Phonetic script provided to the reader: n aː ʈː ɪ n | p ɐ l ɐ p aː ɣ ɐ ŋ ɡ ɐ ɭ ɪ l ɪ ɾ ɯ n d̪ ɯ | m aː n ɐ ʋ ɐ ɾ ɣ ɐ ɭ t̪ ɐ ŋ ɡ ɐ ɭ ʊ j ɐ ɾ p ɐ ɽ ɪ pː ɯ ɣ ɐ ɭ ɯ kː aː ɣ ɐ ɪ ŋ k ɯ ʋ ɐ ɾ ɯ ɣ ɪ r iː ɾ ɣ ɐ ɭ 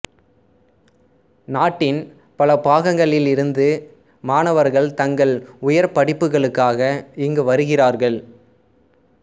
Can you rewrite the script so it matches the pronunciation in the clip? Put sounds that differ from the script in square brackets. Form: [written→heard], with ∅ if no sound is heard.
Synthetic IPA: n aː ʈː ɪ n | p ɐ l ɐ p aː ɣ ɐ ŋ ɡ ɐ ɭ ɪ l ɪ ɾ ɯ n d̪ ɯ | m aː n ɐ ʋ ɐ ɾ ɣ ɐ ɭ t̪ ɐ ŋ ɡ ɐ ɭ ʊ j ɐ ɾ p ɐ ɽ ɪ pː ɯ ɣ ɐ ɭ ɯ kː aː ɣ ɐ ɪ ŋ [k→ɡ] ɯ ʋ ɐ ɾ ɯ ɣ ɪ r [iː→aː] ɾ ɣ ɐ ɭ